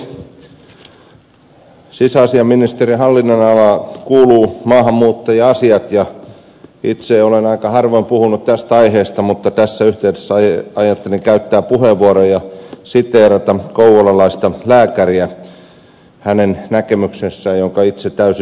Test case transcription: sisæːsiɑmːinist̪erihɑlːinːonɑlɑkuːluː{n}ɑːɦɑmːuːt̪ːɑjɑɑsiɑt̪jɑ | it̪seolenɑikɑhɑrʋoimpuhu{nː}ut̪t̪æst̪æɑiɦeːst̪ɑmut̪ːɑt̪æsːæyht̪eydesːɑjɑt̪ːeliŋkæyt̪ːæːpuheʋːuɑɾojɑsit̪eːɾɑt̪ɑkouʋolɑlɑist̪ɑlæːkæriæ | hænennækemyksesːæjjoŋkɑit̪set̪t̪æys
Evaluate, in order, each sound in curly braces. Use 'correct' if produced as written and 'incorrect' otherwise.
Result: incorrect, incorrect

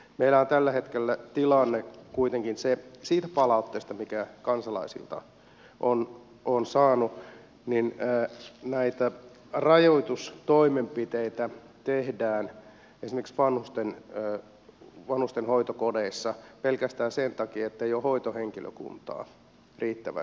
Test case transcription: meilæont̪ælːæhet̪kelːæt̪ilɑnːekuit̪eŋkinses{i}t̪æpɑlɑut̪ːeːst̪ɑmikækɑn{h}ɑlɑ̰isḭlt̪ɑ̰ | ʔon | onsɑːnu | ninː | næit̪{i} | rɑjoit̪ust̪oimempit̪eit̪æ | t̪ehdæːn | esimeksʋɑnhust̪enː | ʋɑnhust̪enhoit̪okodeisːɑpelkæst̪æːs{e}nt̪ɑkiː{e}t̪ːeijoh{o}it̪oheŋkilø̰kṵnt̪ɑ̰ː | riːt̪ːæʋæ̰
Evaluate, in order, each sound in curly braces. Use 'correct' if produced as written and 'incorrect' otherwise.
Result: incorrect, incorrect, incorrect, correct, correct, correct

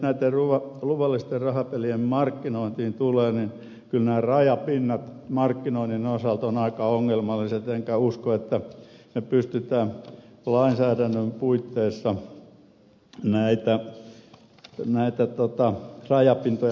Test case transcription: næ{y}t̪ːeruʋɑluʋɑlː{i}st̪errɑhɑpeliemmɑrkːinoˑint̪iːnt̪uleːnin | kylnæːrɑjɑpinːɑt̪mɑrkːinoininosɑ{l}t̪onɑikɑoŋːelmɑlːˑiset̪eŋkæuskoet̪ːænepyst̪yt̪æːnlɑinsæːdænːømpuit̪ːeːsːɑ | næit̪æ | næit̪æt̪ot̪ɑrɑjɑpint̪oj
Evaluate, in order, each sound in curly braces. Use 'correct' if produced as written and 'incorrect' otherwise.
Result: incorrect, correct, correct

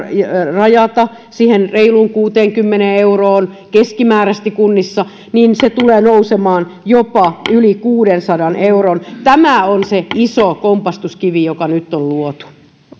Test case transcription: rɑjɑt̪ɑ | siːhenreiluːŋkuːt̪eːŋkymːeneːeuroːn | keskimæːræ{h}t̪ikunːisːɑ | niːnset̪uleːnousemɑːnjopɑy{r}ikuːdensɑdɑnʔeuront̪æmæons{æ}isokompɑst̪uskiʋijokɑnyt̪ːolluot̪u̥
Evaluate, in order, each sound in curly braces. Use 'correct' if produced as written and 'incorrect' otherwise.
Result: incorrect, incorrect, incorrect

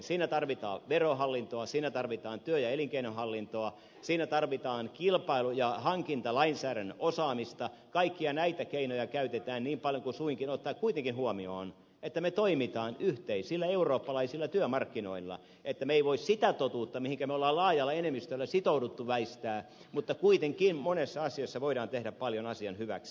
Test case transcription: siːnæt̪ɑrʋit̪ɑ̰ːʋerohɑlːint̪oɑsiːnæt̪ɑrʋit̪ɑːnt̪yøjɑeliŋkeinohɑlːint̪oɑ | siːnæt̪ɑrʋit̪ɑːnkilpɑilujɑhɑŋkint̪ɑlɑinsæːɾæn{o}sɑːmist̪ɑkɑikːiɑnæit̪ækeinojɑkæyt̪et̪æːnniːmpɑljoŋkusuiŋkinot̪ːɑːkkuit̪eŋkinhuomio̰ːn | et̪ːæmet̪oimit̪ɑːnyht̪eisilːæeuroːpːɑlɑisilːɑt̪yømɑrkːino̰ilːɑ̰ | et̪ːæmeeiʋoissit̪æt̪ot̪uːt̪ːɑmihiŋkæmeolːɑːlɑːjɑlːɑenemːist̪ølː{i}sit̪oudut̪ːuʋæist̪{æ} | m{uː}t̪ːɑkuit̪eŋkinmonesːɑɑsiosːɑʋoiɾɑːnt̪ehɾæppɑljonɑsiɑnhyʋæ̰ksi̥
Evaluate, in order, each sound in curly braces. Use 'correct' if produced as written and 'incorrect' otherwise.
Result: correct, incorrect, incorrect, incorrect

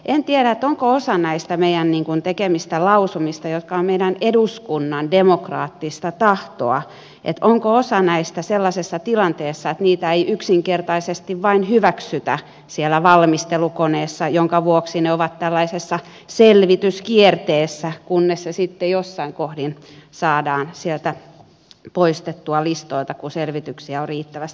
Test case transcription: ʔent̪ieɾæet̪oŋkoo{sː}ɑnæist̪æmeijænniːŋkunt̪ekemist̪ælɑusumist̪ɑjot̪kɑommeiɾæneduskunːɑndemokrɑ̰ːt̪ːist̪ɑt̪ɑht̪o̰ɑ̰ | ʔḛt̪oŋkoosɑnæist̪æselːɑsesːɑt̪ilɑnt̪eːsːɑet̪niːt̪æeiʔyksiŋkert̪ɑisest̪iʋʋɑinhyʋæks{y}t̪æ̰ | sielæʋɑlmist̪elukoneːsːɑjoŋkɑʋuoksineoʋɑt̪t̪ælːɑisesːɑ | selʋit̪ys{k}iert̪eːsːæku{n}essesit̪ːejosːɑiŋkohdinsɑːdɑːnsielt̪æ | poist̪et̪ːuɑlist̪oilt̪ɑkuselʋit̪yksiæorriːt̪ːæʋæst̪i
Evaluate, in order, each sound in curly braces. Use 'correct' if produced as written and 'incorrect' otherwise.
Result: incorrect, correct, correct, incorrect

